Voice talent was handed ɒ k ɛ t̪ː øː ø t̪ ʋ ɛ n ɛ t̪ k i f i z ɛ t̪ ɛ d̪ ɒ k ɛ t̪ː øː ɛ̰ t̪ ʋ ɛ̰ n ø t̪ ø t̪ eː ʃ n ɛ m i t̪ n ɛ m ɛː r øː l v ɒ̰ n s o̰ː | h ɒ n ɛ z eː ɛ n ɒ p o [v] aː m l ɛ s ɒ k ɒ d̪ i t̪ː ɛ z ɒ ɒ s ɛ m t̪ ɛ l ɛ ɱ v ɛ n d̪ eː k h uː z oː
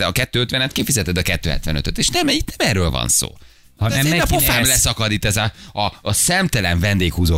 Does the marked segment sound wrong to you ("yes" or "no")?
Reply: yes